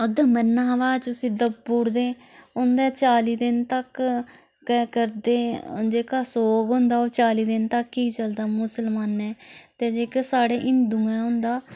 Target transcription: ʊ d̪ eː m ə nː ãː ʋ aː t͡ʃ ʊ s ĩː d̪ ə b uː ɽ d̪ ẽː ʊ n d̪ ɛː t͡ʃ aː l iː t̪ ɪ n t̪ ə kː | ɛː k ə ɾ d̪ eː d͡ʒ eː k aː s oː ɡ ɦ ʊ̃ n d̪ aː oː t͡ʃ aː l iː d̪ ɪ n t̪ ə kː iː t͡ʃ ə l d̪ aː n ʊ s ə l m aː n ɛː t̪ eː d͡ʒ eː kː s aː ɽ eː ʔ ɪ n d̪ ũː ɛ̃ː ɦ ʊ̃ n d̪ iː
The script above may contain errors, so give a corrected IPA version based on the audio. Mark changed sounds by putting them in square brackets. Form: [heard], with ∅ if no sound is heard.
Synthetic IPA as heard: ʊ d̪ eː m ə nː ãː ʋ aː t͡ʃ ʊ s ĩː d̪ ə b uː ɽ d̪ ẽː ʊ n d̪ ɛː t͡ʃ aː l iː [d̪] ɪ n t̪ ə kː | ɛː k ə ɾ d̪ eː d͡ʒ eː k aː s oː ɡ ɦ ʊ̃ n d̪ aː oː t͡ʃ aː l iː d̪ ɪ n t̪ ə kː iː t͡ʃ ə l d̪ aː [m] ʊ s ə l m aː n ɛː t̪ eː d͡ʒ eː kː s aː ɽ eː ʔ ɪ n d̪ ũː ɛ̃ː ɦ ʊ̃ n d̪ [aː]

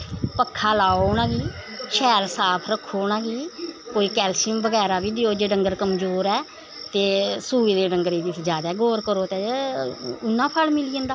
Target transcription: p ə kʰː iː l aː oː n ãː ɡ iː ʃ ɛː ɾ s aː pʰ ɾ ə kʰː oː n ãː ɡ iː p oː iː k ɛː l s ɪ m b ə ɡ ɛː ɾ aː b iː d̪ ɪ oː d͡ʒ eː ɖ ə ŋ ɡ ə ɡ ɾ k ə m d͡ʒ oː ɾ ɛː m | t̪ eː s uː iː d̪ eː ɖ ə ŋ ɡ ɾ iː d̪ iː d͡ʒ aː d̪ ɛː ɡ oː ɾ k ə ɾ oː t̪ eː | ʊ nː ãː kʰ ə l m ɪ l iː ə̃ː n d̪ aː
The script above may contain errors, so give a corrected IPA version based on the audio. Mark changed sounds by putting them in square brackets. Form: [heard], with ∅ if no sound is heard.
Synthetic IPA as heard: p ə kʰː [aː] l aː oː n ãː ɡ iː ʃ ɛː ɾ s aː pʰ ɾ ə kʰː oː n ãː ɡ iː [k] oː iː k ɛː l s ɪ m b ə ɡ ɛː ɾ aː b iː d̪ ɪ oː d͡ʒ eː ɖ ə ŋ ɡ ə [∅] ɾ k ə m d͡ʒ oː ɾ ɛː [∅] | t̪ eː s uː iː d̪ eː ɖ ə ŋ ɡ ɾ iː d̪ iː d͡ʒ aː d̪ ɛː ɡ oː ɾ k ə ɾ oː t̪ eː | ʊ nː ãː [pʰ] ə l m ɪ l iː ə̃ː n d̪ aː

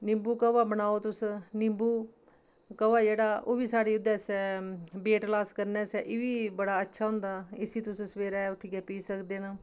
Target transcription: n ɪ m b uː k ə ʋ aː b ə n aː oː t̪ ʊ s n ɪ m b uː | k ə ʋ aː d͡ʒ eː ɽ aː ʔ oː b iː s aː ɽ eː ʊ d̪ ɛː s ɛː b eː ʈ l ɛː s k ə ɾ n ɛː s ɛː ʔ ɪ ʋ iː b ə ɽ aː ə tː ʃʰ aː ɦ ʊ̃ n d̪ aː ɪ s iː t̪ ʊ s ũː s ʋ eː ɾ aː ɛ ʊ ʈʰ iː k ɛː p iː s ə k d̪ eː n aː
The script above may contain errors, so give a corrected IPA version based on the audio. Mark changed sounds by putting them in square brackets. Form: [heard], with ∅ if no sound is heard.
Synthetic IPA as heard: n ɪ m b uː k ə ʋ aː b ə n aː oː t̪ ʊ s n ɪ m b uː | k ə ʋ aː d͡ʒ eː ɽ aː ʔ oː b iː s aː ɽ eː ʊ d̪ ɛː s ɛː b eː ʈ l [aː] s k ə ɾ n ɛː s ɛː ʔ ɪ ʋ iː b ə ɽ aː ə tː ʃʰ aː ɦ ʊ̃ n d̪ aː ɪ s iː t̪ ʊ s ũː s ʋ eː ɾ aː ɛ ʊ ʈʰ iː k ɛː p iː s ə k d̪ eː n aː

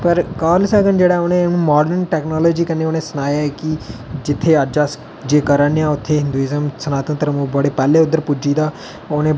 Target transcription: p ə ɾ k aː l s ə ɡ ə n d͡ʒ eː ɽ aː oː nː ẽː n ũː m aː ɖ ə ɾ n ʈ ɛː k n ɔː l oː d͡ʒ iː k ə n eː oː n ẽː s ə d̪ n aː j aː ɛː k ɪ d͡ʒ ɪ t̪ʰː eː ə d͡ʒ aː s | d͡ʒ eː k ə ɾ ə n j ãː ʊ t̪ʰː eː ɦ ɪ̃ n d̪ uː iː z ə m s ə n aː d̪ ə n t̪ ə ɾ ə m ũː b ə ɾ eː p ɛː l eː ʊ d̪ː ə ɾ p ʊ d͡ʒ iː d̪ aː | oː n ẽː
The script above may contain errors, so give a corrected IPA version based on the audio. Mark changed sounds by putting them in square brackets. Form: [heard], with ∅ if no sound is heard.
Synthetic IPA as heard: p ə ɾ k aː l s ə ɡ ə n d͡ʒ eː ɽ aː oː [n] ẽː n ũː m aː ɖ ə ɾ n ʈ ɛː k n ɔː l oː d͡ʒ iː k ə n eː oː n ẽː s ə [∅] n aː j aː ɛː k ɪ d͡ʒ ɪ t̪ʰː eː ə d͡ʒ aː s | d͡ʒ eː k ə ɾ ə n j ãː ʊ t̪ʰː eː ɦ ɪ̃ n d̪ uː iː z ə m s ə n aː [t̪] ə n t̪ ə ɾ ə m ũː b ə [ɽ] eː p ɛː l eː ʊ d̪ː ə ɾ p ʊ d͡ʒ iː d̪ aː | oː n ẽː

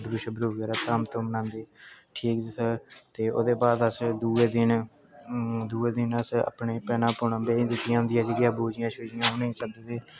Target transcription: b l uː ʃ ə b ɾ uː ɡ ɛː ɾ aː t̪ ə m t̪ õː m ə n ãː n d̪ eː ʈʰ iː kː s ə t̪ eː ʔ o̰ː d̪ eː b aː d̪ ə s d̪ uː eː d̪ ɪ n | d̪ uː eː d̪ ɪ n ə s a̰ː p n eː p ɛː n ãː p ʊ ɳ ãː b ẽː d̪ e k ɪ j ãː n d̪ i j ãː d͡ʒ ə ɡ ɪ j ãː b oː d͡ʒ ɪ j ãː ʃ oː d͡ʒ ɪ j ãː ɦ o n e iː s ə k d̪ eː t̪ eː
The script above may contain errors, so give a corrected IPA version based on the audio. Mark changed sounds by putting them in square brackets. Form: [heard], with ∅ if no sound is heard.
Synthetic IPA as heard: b [ɾ] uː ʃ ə b ɾ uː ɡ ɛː ɾ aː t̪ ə m t̪ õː m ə n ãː n d̪ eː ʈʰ iː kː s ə t̪ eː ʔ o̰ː d̪ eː b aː d̪ ə s d̪ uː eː d̪ ɪ n | d̪ uː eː d̪ ɪ n ə s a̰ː p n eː p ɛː n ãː p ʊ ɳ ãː b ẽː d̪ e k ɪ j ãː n d̪ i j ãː d͡ʒ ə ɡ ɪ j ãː b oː d͡ʒ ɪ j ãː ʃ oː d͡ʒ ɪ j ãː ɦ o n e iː s ə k d̪ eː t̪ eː

